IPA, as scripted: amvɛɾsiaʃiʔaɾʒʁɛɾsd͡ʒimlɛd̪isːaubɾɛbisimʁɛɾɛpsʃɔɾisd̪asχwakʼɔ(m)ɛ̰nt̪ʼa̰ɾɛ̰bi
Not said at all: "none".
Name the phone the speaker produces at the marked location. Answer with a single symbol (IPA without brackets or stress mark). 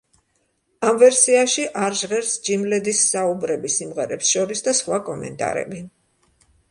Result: m